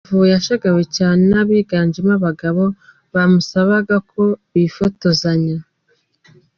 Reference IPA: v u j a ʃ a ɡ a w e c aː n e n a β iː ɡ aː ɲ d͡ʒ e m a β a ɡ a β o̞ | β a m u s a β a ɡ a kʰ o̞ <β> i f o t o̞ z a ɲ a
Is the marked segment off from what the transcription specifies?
no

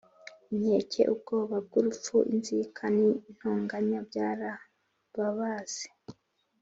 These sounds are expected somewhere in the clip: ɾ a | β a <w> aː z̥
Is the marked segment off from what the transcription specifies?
yes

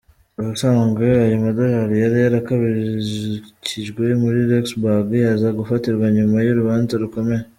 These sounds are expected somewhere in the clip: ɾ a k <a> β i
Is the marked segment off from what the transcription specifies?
no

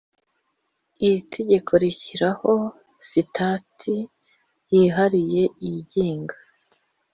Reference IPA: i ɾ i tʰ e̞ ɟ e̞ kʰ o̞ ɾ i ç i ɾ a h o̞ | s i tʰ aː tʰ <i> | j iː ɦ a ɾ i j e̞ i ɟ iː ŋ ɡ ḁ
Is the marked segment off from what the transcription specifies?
no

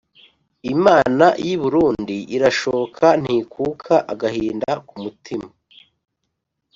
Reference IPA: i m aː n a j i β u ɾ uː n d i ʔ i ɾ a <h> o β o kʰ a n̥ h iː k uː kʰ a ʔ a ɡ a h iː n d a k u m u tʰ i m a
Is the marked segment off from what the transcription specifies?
yes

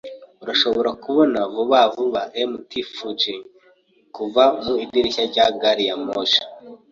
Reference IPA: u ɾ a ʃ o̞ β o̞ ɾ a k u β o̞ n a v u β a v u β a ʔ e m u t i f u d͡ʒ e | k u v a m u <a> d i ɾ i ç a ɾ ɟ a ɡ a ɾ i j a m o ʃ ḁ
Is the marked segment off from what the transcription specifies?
yes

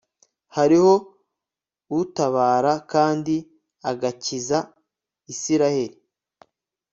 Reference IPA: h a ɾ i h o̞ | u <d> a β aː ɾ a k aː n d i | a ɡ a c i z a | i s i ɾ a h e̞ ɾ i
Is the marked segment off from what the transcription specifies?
yes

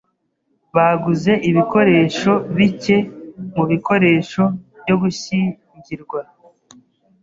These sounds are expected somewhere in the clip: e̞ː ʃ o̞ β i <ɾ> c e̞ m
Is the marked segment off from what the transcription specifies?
yes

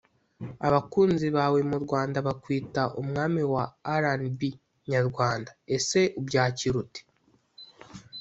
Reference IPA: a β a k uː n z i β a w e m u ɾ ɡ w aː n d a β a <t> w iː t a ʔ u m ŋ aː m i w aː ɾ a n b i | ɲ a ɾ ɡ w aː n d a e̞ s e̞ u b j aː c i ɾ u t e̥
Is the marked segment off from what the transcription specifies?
yes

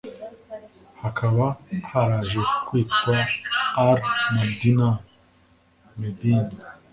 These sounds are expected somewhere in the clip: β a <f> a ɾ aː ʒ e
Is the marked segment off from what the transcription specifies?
yes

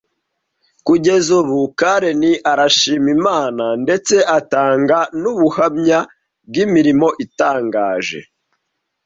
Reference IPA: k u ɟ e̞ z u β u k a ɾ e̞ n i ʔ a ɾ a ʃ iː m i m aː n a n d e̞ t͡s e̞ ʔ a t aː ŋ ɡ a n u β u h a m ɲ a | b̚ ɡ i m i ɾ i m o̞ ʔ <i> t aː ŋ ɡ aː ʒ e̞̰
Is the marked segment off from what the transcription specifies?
no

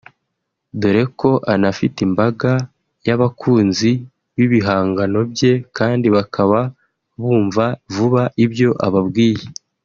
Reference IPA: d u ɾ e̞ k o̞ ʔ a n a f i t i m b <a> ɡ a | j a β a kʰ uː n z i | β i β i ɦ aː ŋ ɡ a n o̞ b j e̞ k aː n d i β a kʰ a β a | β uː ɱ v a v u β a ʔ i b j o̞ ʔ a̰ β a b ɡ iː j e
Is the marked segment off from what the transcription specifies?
no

